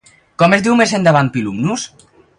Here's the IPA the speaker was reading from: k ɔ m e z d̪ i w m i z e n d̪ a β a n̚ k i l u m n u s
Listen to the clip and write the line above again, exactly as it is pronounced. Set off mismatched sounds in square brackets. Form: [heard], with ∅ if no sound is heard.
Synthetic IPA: k ɔ m e z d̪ i w m [e] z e n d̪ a β a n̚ [p] i l u m n u s